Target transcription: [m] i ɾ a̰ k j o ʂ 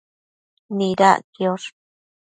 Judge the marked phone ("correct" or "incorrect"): incorrect